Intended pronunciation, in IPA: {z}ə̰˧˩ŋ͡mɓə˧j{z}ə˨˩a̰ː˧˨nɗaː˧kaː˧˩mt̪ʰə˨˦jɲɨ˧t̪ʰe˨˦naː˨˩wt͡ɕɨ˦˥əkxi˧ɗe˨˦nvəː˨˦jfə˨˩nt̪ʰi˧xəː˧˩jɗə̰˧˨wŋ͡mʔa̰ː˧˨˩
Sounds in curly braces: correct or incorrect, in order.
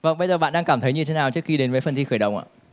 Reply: incorrect: v, correct

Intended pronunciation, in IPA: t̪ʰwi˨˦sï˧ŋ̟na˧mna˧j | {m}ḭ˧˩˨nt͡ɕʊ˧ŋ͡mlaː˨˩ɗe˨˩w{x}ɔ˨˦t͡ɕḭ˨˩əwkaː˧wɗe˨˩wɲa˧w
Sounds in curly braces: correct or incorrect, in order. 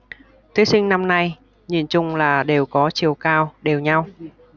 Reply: incorrect: ɲ, incorrect: k

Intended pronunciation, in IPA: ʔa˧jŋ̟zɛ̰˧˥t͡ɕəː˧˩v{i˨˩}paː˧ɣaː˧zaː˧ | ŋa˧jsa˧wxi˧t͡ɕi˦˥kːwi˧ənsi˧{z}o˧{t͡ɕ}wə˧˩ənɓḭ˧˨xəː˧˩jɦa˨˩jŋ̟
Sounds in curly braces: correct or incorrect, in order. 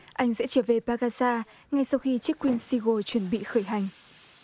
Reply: incorrect: e˨˩, incorrect: ɣ, correct

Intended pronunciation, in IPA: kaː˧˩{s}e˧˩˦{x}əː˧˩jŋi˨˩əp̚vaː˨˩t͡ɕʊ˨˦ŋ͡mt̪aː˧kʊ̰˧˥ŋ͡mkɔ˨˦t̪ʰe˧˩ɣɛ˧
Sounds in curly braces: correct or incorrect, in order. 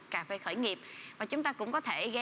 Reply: incorrect: f, correct

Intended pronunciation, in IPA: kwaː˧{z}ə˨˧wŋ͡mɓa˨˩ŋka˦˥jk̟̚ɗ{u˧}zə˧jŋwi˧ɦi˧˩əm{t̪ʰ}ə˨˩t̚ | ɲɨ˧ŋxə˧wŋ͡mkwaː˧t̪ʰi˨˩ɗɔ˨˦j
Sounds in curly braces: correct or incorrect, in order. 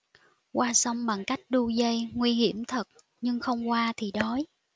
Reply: incorrect: s, correct, correct

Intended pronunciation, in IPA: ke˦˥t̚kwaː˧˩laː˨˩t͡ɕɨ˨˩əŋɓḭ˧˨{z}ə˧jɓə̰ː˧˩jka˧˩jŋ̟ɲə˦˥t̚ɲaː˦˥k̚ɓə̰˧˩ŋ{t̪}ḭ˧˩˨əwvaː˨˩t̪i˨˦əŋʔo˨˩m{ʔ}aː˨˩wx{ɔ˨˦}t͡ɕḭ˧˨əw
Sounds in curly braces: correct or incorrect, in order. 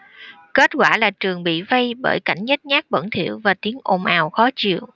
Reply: incorrect: v, incorrect: t̪ʰ, correct, correct

